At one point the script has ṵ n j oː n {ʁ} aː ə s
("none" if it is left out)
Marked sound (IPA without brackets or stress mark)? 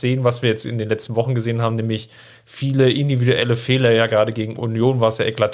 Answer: v